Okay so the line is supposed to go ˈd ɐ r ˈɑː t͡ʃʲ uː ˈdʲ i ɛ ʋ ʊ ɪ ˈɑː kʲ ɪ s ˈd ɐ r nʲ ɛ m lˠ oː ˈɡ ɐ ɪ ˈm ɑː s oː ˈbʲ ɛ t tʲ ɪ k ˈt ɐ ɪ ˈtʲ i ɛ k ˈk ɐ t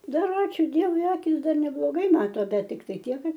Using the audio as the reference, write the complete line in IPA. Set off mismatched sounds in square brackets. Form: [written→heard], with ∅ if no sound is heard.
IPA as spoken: ˈd ɐ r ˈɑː t͡ʃʲ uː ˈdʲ i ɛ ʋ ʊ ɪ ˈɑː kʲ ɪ s ˈd ɐ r nʲ ɛ [m→b] lˠ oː ˈɡ ɐ ɪ ˈm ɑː [s→t] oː ˈbʲ ɛ t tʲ ɪ k ˈt ɐ ɪ ˈtʲ i ɛ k ˈk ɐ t

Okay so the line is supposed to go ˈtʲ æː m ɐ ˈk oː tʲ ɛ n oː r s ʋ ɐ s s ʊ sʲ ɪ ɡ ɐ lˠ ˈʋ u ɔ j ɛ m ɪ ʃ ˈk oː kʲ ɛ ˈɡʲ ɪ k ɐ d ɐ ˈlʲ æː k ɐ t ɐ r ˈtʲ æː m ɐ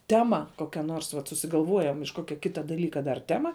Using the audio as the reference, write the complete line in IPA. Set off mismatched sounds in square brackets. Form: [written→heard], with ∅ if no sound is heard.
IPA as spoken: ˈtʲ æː m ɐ ˈk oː [tʲ→kʲ] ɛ n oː r s ʋ ɐ [s→t] s ʊ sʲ ɪ ɡ ɐ lˠ ˈʋ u ɔ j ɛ m ɪ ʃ ˈk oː kʲ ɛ [ˈɡʲ→ˈkʲ] ɪ [k→t] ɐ d ɐ ˈlʲ [æː→iː] k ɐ [t→d] ɐ r ˈtʲ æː m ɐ

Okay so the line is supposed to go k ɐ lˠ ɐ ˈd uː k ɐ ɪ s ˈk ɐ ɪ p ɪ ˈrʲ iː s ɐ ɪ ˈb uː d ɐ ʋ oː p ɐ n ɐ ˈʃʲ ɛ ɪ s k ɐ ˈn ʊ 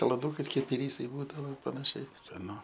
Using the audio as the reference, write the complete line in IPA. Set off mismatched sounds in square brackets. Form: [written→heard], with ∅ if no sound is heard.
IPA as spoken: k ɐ lˠ ɐ ˈd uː k ɐ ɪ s ˈk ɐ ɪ p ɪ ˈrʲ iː s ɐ ɪ ˈb uː d ɐ ʋ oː p ɐ n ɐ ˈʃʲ ɛ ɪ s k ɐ ˈn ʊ

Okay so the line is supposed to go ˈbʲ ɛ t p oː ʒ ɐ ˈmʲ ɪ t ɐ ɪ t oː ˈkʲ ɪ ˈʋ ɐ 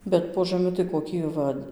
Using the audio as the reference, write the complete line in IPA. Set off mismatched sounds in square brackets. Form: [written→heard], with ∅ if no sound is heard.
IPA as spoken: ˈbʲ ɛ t p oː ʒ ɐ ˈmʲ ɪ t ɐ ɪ [t→k] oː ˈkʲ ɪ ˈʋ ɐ

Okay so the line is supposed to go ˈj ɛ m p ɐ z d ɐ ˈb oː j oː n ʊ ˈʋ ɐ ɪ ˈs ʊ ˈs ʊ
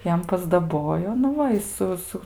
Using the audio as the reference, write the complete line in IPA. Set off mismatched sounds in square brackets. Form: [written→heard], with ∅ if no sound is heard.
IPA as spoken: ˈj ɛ m p ɐ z d ɐ ˈb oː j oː n ʊ ˈʋ ɐ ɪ ˈs ʊ ˈs ʊ

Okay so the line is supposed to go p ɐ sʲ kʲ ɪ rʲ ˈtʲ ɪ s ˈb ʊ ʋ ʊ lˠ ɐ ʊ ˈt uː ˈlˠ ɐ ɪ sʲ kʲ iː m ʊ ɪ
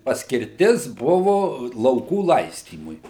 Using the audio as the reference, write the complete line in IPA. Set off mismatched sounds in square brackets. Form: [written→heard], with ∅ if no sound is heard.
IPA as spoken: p ɐ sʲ kʲ ɪ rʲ ˈtʲ ɪ s ˈb ʊ ʋ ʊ lˠ ɐ ʊ [ˈt→ˈk] uː ˈlˠ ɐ ɪ sʲ [kʲ→tʲ] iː m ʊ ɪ

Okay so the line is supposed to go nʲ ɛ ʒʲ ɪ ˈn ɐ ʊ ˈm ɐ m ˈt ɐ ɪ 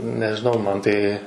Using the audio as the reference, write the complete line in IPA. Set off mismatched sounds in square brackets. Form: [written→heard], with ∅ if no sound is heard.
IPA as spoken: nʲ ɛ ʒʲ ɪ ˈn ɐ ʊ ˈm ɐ [m→n] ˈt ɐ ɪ

